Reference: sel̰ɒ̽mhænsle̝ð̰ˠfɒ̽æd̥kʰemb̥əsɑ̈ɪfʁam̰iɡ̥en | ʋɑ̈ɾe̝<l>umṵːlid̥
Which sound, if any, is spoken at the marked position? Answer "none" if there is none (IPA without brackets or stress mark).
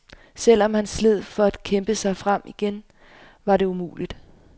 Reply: none